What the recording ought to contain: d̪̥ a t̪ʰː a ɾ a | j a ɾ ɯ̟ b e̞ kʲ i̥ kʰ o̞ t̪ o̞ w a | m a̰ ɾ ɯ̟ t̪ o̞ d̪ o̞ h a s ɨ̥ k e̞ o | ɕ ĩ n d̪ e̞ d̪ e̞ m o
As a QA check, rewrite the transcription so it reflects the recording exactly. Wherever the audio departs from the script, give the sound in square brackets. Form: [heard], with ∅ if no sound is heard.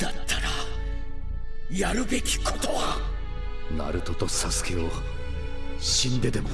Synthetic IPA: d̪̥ a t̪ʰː a ɾ a | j a ɾ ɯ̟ b e̞ kʲ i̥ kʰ o̞ t̪ o̞ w a | [n] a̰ ɾ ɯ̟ t̪ o̞ [t̪] o̞ [s] a s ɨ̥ k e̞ o | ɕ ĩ n d̪ e̞ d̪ e̞ m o